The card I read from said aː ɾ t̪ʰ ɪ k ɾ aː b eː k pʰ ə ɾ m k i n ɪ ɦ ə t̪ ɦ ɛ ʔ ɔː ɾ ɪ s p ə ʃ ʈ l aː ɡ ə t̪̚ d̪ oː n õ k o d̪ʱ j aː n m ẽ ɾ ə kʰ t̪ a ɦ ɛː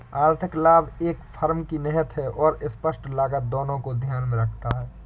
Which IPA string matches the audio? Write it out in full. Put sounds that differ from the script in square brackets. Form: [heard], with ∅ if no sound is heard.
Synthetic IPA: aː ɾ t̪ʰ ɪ k [l] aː b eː k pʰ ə ɾ m k i n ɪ ɦ ə t̪ ɦ ɛ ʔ ɔː ɾ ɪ s p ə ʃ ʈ l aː ɡ ə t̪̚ d̪ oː n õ k o d̪ʱ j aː n m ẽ ɾ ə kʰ t̪ a ɦ ɛː